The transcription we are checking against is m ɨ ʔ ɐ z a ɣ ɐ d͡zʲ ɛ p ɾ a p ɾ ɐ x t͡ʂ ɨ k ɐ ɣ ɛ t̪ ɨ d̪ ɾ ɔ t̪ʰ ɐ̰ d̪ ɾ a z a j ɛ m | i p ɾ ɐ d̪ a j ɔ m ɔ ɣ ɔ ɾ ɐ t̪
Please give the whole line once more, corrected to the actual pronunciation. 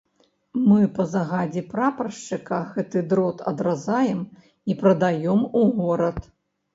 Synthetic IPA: m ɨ p ɐ z a ɣ a d͡zʲ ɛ p ɾ a p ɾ ɐ ʂ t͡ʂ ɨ k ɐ ɣ ɛ t̪ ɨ d̪ ɾ ɔ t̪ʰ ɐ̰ d̪ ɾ a z a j ɛ m | i p ɾ ɐ d̪ a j ɔ m u ɣ ɔ ɾ ɐ t̪